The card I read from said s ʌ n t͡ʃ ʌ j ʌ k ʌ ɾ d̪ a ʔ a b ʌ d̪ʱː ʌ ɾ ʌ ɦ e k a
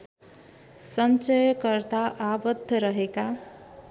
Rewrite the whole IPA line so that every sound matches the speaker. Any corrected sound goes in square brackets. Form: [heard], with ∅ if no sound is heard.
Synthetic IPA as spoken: s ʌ n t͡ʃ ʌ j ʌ k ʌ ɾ [t̪] a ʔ a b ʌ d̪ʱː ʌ ɾ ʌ ɦ e k a